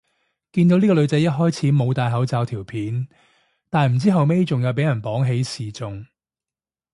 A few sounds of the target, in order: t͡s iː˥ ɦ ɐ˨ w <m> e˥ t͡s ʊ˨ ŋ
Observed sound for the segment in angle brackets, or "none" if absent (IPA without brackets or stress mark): m